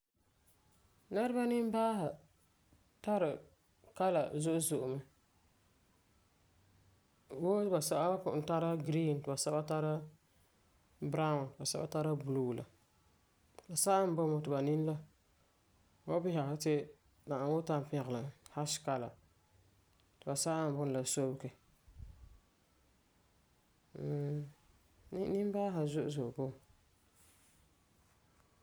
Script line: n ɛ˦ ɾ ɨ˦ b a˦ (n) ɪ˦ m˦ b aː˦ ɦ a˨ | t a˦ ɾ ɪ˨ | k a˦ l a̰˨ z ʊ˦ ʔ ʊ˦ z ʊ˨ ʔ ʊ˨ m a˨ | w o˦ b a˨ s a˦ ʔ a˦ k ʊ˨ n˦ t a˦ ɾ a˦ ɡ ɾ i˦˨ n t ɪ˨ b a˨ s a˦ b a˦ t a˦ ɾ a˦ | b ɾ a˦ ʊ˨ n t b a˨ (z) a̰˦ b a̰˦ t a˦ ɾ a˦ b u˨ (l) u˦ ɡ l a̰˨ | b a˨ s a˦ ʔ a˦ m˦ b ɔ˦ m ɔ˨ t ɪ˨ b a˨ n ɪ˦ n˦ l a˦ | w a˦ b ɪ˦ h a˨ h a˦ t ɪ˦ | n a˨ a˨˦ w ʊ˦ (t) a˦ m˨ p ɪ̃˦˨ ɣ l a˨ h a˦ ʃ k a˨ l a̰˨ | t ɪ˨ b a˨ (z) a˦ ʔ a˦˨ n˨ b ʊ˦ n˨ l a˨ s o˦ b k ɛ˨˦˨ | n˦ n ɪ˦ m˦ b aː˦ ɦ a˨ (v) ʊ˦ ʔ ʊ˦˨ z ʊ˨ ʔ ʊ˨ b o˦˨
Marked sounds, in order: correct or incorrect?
correct, incorrect: s, correct, correct, incorrect: s, incorrect: z

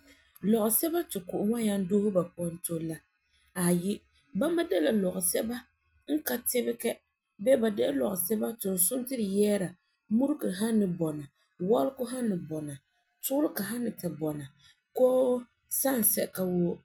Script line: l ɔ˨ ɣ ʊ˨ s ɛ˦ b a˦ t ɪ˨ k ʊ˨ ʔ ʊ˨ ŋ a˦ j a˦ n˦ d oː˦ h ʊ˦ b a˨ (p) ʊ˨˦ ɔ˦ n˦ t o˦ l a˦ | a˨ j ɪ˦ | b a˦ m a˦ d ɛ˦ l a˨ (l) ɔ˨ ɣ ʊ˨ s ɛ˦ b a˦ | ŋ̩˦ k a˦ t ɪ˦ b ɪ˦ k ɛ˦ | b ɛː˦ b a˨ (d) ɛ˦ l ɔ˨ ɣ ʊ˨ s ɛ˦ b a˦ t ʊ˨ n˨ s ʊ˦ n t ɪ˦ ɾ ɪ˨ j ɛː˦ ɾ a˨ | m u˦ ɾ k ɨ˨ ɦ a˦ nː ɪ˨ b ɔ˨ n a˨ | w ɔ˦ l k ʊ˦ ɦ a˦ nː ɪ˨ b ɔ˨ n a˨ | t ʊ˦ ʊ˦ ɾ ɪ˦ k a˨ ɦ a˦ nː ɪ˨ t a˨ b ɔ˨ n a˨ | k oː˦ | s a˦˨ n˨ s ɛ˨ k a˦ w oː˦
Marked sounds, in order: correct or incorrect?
correct, correct, correct

